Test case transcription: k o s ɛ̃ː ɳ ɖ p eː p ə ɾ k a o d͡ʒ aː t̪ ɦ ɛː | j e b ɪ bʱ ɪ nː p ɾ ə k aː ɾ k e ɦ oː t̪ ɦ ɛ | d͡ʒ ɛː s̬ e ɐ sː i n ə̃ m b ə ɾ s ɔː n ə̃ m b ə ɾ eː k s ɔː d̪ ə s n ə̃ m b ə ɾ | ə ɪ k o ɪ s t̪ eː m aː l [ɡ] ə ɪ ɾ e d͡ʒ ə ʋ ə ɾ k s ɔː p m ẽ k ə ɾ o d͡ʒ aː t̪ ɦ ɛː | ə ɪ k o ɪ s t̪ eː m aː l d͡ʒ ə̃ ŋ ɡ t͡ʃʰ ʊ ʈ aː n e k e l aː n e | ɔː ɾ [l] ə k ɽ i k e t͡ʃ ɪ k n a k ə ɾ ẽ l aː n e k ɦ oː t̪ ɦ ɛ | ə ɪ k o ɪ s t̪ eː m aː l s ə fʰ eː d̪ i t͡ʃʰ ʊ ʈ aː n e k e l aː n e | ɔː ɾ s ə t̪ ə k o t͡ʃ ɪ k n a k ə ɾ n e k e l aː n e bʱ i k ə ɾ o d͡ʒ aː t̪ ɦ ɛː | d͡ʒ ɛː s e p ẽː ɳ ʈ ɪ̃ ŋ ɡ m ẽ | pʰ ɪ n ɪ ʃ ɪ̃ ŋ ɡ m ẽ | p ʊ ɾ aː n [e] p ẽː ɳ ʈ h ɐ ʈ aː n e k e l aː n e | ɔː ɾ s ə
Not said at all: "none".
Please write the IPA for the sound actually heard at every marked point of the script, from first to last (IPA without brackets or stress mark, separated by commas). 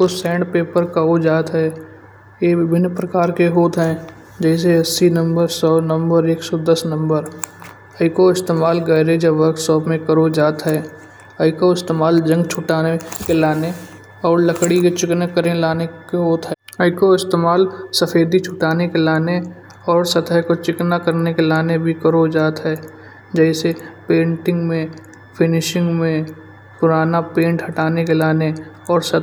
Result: ɡ, l, a